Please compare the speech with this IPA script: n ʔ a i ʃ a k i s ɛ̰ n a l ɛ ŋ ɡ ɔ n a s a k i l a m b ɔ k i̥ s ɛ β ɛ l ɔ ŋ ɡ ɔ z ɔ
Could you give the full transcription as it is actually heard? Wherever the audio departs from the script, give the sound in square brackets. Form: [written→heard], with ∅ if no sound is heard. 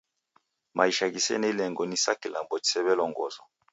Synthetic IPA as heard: [n→m] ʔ a i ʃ a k i s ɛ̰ n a l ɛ ŋ ɡ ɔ n [a→i] s a k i l a m b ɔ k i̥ s ɛ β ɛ l ɔ ŋ ɡ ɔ z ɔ